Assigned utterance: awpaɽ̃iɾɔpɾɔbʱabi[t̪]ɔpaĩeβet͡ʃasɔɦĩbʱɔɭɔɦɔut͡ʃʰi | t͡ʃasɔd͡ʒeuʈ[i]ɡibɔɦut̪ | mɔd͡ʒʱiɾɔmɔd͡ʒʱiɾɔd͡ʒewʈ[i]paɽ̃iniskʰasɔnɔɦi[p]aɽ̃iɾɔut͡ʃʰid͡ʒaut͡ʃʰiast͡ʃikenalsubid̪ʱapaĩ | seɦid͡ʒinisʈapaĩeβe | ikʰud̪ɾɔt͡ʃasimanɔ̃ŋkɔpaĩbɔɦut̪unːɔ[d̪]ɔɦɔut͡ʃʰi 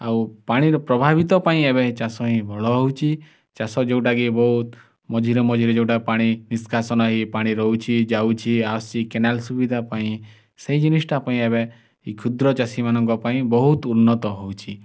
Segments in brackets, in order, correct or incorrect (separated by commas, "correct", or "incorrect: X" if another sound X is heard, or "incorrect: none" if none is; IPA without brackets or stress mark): correct, incorrect: a, incorrect: a, correct, incorrect: t̪